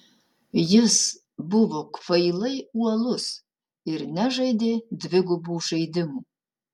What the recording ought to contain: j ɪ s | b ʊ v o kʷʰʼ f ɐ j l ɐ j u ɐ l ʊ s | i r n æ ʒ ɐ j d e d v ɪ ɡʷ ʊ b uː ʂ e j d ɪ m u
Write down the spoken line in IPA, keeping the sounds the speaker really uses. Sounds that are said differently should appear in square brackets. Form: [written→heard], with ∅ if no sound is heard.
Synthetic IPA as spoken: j ɪ s | b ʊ v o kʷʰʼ f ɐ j l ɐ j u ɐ l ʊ s | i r n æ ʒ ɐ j d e d v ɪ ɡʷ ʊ b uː ʂ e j d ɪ m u

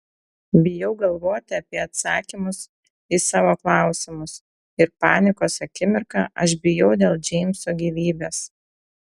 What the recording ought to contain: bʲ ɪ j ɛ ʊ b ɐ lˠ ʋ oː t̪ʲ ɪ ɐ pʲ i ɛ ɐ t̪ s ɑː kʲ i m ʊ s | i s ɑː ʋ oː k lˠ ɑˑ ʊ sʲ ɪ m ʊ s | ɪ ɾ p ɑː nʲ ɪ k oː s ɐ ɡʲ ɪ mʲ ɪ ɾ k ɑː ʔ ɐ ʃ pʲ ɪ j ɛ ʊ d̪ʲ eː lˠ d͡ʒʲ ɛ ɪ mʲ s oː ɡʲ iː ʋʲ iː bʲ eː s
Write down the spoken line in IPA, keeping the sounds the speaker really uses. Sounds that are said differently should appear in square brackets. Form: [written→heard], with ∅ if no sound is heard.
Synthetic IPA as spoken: bʲ ɪ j ɛ ʊ [b→ɡ] ɐ lˠ ʋ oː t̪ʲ ɪ ɐ pʲ i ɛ ɐ t̪ s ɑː kʲ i m ʊ s | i s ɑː ʋ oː k lˠ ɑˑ ʊ sʲ ɪ m ʊ s | ɪ ɾ p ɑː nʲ ɪ k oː s ɐ [ɡʲ→kʲ] ɪ mʲ ɪ ɾ k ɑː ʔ ɐ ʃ [pʲ→bʲ] ɪ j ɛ ʊ d̪ʲ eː lˠ d͡ʒʲ ɛ ɪ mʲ s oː ɡʲ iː ʋʲ iː bʲ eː s

